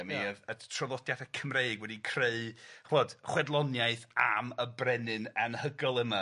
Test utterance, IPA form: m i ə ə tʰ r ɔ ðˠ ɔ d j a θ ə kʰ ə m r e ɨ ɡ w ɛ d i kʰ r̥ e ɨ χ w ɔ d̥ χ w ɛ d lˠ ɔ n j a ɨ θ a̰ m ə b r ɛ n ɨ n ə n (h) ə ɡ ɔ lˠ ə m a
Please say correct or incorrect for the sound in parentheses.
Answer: correct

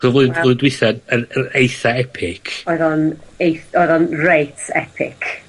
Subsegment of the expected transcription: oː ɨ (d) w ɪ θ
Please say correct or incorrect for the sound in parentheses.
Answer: correct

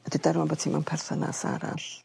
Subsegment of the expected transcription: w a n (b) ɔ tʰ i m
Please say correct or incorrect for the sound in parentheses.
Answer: correct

